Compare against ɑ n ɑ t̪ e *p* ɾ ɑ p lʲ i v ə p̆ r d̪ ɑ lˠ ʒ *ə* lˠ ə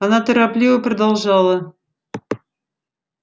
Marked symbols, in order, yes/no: no, no

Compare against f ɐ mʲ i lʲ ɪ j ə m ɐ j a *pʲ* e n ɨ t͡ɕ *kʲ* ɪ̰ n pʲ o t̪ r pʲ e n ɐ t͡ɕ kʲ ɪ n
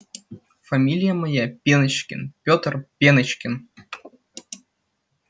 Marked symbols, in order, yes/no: yes, yes

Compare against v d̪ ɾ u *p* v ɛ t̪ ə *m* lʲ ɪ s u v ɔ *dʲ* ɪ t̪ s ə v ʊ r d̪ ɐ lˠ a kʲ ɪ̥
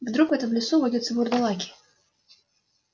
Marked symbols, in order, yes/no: no, yes, yes

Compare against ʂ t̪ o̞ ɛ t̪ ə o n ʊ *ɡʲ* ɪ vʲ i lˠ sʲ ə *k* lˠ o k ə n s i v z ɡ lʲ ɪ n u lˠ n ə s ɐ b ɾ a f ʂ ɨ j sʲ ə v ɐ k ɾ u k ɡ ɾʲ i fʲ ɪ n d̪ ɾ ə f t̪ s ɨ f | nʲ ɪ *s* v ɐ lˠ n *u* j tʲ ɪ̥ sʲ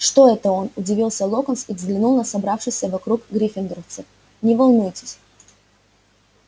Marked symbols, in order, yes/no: no, no, no, yes

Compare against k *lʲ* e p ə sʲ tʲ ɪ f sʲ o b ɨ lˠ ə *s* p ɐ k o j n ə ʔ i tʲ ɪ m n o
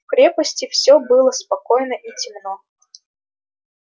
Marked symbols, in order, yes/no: no, yes

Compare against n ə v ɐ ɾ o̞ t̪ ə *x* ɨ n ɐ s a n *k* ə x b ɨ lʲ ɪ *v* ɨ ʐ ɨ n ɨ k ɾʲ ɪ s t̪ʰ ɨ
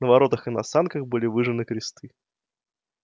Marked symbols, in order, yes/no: yes, yes, yes

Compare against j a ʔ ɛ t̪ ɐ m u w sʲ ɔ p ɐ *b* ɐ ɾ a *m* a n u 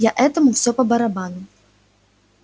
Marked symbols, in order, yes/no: yes, no

